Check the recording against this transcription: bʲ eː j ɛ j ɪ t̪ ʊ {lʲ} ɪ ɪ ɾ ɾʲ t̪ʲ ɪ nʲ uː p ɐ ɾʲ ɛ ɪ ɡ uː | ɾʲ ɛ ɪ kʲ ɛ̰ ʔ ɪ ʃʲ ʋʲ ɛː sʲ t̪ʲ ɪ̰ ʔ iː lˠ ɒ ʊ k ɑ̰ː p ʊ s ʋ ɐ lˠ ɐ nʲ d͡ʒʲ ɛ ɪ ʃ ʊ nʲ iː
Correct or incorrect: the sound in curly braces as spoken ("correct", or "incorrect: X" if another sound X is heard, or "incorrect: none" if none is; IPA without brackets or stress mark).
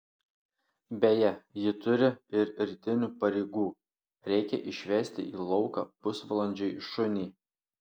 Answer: incorrect: ɾʲ